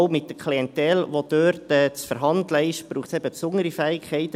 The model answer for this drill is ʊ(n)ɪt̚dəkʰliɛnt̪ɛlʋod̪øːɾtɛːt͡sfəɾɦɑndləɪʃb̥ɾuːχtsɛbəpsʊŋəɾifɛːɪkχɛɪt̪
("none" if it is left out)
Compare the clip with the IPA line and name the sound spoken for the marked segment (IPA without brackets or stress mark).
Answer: m